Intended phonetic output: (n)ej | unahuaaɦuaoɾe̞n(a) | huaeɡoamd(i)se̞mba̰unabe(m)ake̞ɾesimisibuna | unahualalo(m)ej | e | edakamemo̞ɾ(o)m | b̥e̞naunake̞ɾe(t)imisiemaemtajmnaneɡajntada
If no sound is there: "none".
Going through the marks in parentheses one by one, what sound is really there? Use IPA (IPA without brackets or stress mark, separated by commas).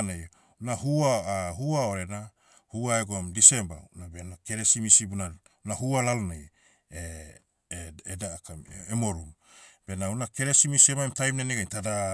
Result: n, a, i, n, n, u, s